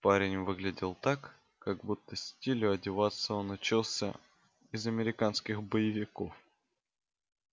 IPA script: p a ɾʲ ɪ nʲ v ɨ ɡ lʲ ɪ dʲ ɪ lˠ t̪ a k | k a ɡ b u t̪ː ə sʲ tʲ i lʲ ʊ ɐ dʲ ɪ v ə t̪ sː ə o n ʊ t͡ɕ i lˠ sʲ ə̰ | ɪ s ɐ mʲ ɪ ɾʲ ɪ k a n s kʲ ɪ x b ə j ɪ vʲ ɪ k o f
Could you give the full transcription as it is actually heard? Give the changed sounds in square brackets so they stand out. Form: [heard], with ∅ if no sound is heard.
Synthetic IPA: p a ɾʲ ɪ nʲ v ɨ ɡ lʲ ɪ dʲ ɪ lˠ t̪ a k | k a ɡ b u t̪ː ə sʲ tʲ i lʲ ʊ ɐ dʲ ɪ v [a] t̪ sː ə o n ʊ t͡ɕ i lˠ sʲ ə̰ | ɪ [z] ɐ mʲ ɪ ɾʲ ɪ k a n s kʲ ɪ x b ə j ɪ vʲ ɪ k o f